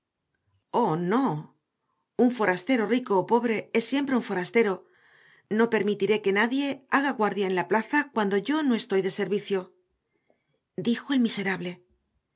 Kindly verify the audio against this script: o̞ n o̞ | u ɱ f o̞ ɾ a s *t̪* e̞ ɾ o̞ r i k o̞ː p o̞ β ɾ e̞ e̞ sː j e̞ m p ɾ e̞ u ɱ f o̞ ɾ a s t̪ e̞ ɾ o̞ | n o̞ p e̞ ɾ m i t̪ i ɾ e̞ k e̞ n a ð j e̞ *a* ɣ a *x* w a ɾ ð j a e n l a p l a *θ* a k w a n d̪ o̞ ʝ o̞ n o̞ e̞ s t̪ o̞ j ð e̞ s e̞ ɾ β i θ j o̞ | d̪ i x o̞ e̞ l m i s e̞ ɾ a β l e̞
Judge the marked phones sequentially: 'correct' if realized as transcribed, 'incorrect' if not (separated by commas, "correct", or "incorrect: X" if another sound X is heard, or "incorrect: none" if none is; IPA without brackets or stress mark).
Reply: correct, correct, incorrect: ɣ, correct